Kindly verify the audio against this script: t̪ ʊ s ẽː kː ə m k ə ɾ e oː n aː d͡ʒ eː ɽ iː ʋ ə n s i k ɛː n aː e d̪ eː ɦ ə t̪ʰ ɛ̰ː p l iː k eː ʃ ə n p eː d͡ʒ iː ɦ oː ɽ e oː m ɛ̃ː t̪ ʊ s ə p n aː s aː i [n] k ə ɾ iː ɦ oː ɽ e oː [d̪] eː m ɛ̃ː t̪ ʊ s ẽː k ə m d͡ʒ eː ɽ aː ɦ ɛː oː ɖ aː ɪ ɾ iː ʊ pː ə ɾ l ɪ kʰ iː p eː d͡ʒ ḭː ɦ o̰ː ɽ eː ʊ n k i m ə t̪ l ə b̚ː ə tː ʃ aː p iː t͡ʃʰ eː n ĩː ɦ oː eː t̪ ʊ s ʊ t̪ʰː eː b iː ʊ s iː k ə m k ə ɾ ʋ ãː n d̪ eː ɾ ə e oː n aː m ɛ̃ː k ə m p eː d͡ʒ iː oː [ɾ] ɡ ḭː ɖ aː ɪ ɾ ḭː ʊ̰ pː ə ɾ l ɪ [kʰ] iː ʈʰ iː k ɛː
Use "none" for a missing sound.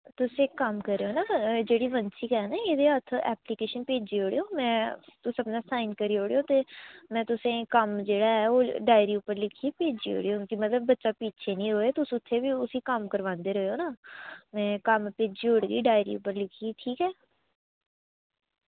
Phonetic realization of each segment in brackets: n, t̪, ɽ, kʰ

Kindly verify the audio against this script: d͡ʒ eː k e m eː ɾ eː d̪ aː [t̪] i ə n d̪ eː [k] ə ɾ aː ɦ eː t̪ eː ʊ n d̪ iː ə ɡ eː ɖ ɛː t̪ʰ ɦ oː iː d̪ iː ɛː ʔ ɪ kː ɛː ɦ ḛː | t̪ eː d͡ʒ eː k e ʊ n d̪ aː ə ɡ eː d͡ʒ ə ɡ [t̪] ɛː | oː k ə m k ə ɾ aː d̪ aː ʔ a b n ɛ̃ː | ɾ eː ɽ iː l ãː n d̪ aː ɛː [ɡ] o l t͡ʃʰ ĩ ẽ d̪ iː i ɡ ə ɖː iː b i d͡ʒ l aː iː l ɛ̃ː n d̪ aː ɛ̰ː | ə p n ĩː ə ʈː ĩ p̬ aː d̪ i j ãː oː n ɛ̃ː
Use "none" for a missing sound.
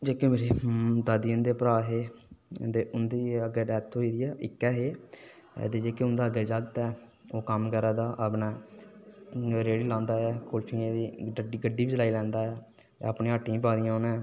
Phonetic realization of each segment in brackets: d̪, p, t̪, k

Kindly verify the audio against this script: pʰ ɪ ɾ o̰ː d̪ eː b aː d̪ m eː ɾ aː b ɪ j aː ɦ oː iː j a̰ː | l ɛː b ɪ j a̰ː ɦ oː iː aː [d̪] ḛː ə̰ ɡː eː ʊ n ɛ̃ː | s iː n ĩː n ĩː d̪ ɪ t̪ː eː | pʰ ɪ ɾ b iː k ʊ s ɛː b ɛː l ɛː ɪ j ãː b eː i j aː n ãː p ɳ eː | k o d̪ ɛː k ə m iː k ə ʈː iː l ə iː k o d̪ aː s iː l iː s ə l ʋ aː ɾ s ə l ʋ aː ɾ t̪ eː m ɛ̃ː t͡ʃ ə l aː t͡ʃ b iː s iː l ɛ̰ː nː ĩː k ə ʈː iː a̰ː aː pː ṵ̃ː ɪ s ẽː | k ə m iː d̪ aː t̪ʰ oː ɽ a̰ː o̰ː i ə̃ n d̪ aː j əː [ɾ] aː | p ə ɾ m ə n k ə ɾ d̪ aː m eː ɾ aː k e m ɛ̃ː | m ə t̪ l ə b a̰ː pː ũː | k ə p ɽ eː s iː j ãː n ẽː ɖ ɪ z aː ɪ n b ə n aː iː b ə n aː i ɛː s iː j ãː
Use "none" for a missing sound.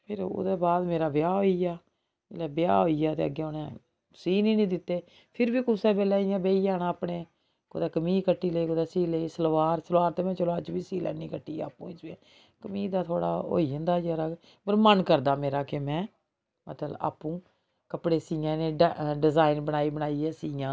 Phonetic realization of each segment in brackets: t̪, ɾ

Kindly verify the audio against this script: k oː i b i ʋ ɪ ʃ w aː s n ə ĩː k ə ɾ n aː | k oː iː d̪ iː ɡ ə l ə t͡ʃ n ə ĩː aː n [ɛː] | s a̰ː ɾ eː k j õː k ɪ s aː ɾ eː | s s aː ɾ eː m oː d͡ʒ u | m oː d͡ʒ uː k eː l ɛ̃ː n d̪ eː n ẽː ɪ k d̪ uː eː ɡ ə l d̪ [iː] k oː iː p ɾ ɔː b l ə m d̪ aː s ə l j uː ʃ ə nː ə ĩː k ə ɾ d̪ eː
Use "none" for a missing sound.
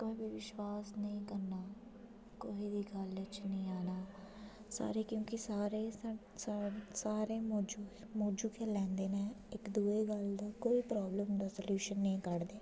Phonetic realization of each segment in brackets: aː, aː

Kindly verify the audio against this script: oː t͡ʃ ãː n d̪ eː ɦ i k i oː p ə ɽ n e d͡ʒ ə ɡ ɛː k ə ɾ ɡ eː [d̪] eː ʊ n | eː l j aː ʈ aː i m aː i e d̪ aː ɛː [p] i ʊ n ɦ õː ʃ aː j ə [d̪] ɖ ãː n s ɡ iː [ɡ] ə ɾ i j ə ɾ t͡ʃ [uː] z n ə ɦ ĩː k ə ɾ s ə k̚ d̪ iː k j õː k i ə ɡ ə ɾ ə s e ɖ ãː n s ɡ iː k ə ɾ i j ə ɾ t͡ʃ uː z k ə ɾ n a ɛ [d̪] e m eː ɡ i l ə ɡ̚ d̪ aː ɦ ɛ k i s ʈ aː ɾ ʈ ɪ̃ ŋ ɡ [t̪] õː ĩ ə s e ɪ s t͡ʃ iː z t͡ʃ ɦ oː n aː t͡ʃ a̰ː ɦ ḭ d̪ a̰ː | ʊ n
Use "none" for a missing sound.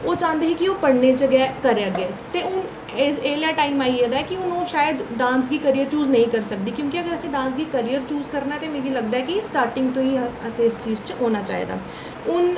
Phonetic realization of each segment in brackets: t̪, k, d̪, k, uː, t̪, t̪

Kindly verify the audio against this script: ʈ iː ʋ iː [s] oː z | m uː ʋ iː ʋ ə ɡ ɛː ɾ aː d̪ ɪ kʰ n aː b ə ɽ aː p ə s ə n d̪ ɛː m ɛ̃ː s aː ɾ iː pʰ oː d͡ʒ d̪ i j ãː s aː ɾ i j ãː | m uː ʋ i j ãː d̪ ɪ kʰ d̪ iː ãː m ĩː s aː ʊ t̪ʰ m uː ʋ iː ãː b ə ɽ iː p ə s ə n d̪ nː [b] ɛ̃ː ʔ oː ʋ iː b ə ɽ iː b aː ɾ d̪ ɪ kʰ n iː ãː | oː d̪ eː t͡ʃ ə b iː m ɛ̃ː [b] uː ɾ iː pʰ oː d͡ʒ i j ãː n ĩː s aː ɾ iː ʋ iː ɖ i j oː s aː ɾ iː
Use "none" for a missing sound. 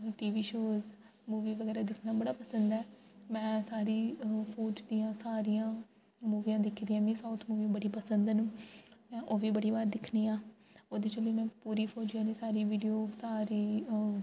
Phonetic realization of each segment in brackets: ʃ, m, p

